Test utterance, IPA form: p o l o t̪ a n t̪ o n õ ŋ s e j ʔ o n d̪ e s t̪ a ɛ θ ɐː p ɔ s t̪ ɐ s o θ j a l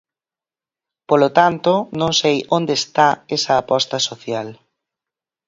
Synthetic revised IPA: p o l o t̪ a n t̪ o n õ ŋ s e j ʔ o n d̪ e s t̪ a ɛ s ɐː p ɔ s t̪ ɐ s o θ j a l